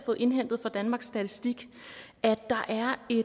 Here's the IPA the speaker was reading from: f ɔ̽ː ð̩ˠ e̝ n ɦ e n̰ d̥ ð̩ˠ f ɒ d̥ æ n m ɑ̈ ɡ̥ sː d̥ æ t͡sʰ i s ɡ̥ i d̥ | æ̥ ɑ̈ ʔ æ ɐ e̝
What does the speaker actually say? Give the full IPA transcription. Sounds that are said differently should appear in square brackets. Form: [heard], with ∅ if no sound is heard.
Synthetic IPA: f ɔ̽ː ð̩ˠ e̝ n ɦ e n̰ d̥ ð̩ˠ f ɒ d̥ æ n m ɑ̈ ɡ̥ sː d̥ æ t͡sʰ i s [d̥] i [ɡ̥] | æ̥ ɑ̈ ʔ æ ɐ e̝